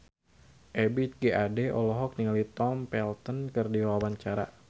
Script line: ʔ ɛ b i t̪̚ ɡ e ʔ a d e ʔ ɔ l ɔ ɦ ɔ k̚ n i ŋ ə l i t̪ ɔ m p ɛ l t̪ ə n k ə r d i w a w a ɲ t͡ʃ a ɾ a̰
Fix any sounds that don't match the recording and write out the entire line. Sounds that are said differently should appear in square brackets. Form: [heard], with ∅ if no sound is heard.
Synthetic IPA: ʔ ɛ b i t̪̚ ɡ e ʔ a d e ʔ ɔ l ɔ ɦ ɔ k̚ n i ŋ [a] l i t̪ ɔ m p ɛ l t̪ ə n k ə r d i w a w a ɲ t͡ʃ a ɾ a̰